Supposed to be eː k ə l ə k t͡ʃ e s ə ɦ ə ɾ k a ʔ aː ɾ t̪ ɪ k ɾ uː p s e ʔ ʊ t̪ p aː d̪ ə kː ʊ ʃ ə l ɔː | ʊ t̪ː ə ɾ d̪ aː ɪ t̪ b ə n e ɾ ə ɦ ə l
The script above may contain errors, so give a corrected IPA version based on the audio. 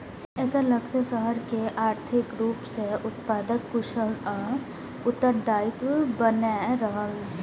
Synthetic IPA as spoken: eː k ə l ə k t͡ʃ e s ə ɦ ə ɾ k e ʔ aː ɾ t̪ʰ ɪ k ɾ uː p s e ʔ ʊ t̪ p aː d̪ ə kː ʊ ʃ ə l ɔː | ʊ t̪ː ə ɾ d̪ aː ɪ t̪ b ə n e ɾ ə ɦ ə l